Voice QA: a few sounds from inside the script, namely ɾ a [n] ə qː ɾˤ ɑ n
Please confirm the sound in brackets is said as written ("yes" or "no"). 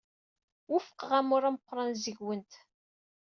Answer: no